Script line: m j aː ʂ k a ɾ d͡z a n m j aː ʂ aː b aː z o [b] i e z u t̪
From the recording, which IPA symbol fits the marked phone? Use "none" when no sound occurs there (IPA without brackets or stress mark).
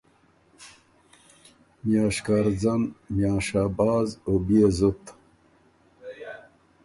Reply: b